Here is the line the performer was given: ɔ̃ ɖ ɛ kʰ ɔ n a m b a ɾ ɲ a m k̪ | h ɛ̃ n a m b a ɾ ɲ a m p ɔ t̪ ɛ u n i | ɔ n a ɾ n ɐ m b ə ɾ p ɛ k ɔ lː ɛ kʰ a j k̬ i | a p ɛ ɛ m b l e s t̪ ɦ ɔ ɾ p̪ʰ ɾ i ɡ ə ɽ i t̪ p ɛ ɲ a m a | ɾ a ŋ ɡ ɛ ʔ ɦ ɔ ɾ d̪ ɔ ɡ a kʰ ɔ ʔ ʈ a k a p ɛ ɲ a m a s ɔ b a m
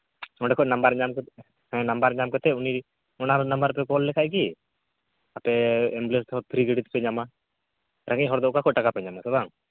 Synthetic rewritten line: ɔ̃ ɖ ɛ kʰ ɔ n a m b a ɾ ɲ a m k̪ | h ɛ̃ n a m b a ɾ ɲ a m k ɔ t̪ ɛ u n i | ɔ n a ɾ n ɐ m b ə ɾ p ɛ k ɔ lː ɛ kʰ a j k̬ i | a p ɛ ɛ m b l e s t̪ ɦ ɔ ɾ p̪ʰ ɾ i ɡ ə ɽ i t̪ p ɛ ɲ a m a | ɾ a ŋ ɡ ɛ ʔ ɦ ɔ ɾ d̪ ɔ k a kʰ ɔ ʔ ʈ a k a p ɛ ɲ a m a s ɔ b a ŋ